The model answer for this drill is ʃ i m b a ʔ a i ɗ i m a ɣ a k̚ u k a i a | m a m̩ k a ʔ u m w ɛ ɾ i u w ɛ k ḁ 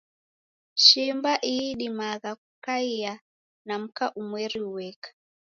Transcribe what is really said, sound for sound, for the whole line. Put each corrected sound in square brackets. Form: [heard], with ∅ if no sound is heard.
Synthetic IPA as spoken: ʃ i m b a ʔ [i] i ɗ i m a ɣ a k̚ u k a i a | [n] a m̩ k a ʔ u m w ɛ ɾ i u w ɛ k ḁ